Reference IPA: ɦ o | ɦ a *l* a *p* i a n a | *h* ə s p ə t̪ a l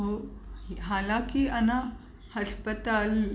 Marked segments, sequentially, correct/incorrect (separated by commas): correct, incorrect, correct